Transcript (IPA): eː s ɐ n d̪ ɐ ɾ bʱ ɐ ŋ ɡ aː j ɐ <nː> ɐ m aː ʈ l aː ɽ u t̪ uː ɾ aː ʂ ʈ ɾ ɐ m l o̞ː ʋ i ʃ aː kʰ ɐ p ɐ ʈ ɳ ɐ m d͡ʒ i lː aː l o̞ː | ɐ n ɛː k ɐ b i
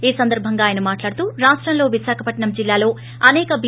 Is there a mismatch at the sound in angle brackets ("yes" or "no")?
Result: yes